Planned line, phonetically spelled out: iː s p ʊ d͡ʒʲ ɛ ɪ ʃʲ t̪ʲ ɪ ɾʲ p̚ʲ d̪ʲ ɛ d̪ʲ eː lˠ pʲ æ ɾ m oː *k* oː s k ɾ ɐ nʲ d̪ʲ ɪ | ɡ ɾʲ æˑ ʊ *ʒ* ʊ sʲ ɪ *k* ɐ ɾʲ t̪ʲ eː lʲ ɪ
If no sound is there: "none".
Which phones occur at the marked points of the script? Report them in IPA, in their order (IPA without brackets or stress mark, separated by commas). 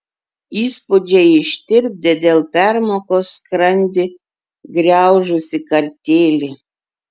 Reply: k, ʒ, k